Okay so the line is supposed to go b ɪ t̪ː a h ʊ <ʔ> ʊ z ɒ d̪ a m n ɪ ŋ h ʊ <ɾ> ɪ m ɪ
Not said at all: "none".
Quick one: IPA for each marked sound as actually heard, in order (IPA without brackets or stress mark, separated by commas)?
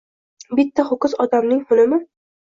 k, l